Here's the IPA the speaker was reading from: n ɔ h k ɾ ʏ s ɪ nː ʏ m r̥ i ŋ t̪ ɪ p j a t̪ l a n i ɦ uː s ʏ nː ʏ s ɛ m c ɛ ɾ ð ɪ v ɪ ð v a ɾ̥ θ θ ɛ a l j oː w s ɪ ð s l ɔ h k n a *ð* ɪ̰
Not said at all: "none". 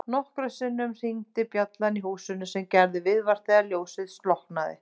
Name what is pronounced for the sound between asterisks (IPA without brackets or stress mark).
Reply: ð